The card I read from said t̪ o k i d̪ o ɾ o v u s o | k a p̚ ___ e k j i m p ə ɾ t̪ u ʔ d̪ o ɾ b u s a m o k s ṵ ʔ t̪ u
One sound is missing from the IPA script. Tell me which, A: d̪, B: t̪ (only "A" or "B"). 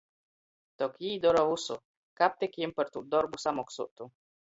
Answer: B